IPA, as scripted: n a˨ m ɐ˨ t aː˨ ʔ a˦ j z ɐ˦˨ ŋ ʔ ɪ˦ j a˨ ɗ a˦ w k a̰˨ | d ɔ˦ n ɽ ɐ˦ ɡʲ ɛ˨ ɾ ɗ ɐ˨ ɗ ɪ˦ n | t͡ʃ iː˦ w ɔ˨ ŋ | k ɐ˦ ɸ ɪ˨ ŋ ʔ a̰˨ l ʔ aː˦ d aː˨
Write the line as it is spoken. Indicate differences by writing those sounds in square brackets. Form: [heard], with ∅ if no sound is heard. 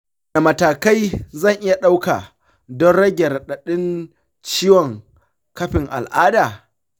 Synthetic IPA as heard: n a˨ m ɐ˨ t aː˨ [k] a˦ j z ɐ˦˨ ŋ ʔ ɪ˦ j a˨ ɗ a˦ w k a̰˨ | d ɔ˦ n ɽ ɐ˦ ɡʲ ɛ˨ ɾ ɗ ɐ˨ ɗ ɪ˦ n | t͡ʃ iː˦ w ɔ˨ ŋ | k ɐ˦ ɸ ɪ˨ ŋ ʔ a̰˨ l ʔ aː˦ d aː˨